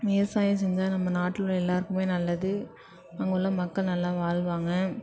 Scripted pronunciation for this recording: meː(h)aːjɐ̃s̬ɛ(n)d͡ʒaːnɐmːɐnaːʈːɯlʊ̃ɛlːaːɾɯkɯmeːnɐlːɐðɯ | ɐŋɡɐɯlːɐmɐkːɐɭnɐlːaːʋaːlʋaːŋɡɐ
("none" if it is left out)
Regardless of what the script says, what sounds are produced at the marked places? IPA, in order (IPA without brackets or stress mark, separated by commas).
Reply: s, ɲ